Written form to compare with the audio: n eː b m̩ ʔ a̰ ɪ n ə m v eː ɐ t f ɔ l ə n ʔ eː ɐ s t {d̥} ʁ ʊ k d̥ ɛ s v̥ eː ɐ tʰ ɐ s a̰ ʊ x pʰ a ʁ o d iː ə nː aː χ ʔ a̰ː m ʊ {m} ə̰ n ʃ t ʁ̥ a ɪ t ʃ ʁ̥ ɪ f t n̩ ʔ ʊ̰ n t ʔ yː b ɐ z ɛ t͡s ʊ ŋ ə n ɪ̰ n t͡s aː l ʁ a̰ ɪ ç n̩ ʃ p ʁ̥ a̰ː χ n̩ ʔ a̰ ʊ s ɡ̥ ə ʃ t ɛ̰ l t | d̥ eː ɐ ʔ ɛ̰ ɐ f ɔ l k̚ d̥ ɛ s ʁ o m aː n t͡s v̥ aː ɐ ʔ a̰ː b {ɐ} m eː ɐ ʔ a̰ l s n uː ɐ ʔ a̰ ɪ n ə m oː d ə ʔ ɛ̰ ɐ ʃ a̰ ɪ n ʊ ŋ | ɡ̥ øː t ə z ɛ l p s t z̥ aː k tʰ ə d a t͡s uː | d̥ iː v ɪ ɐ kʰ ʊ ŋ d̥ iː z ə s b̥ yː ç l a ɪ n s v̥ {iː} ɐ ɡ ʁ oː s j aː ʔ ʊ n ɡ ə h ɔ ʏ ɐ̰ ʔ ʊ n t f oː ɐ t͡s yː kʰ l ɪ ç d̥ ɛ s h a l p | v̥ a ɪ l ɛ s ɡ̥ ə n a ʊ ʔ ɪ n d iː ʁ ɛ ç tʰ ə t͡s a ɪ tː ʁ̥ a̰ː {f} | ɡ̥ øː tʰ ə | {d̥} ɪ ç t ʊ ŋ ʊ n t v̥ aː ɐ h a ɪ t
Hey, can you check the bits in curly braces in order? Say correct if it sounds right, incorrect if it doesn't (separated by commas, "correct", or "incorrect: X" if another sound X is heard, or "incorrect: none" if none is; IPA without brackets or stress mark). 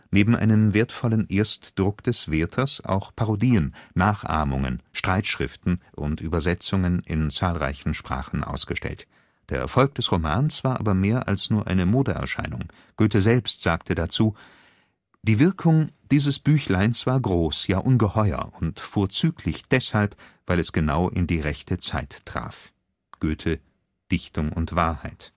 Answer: correct, incorrect: ŋ, correct, incorrect: aː, correct, correct